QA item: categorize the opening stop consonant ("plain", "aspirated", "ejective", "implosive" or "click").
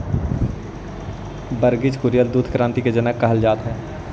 plain